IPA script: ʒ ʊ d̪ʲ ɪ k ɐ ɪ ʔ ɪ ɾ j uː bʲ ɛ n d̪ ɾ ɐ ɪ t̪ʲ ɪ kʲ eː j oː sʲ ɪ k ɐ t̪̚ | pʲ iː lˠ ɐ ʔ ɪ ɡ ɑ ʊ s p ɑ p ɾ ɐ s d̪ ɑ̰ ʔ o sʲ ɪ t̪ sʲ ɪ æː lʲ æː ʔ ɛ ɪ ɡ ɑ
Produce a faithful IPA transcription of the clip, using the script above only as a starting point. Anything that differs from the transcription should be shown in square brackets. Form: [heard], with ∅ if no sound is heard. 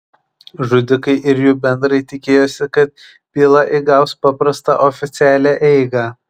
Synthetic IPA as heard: ʒ ʊ d̪ʲ ɪ k ɐ ɪ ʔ ɪ ɾ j uː bʲ ɛ n d̪ ɾ ɐ ɪ t̪ʲ ɪ kʲ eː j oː sʲ ɪ k ɐ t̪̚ | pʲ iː lˠ ɐ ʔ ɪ ɡ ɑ ʊ s p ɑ p ɾ ɐ s [t̪] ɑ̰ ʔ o [fʲ] ɪ t̪ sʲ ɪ æː lʲ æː ʔ ɛ ɪ ɡ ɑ